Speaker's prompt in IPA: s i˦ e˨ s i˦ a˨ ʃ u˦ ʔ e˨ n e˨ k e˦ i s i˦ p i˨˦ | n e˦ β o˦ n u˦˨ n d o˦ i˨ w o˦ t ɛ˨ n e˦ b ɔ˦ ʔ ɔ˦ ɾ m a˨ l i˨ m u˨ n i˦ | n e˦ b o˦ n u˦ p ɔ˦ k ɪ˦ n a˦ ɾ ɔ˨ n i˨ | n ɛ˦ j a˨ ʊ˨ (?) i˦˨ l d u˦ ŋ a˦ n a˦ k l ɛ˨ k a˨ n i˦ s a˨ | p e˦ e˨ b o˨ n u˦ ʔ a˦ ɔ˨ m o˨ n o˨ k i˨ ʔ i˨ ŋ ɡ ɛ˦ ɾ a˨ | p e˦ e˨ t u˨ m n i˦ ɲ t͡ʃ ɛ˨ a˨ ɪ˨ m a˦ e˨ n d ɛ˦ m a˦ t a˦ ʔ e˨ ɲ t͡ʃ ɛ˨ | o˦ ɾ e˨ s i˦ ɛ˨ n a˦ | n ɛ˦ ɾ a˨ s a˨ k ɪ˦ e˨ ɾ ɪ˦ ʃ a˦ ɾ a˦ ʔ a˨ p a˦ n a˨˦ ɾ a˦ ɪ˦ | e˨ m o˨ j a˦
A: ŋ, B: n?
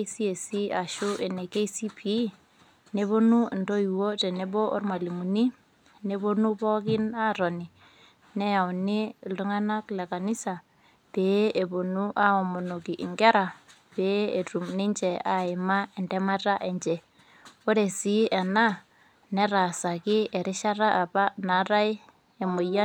B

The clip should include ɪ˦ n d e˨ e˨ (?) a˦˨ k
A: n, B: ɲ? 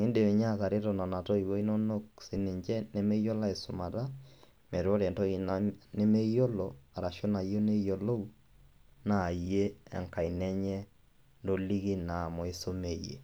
B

